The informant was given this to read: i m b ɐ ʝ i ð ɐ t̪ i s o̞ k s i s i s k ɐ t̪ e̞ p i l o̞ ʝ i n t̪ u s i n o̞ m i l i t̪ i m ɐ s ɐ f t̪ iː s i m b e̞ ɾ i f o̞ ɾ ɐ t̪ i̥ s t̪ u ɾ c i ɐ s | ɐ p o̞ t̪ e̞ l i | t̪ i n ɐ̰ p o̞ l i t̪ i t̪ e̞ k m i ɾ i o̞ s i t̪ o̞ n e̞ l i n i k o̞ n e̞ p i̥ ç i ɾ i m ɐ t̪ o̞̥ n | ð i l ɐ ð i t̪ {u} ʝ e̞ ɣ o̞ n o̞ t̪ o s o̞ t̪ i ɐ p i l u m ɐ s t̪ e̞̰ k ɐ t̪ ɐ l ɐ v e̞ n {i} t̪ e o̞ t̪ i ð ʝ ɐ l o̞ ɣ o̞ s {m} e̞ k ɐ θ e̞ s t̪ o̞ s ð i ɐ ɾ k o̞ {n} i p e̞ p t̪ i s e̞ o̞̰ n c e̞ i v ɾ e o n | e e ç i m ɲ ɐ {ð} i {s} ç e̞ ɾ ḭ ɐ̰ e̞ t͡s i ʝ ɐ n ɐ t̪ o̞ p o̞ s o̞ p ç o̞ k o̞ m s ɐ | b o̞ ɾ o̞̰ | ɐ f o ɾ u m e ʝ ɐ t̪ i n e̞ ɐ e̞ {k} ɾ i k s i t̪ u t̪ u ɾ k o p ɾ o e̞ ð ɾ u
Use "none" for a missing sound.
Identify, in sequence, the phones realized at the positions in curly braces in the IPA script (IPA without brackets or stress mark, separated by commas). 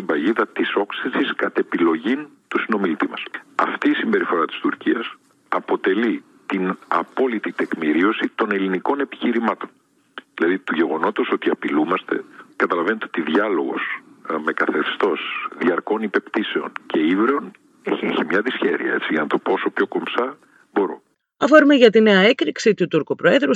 u, e, m, n, ð, s, k